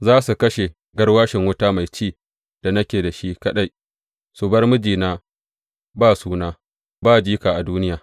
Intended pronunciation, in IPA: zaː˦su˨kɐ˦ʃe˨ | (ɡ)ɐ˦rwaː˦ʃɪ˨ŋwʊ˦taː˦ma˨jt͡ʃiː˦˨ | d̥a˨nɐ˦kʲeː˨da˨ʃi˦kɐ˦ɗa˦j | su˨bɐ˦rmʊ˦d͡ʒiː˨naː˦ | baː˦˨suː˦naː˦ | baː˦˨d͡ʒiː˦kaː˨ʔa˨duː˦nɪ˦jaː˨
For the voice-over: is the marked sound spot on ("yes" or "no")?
yes